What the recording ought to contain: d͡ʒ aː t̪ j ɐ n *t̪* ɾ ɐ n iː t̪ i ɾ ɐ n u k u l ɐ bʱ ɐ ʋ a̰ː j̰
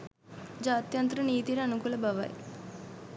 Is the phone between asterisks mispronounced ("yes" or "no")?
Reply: no